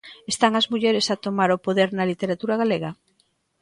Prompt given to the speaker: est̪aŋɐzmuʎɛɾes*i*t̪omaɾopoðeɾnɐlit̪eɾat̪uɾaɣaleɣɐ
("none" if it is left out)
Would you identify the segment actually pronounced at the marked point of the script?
a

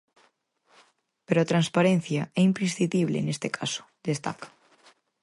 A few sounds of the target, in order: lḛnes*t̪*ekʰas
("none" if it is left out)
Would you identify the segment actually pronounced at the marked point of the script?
t̪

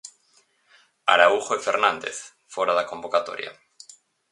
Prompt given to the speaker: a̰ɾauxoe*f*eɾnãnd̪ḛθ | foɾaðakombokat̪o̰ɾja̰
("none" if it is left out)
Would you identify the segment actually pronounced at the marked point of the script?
f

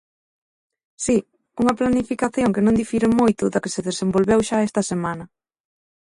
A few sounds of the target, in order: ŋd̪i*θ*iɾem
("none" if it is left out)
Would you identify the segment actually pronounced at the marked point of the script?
f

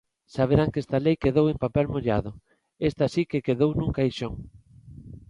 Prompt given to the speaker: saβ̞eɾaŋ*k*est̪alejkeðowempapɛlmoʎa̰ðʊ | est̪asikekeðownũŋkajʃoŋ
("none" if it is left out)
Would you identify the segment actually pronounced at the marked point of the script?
k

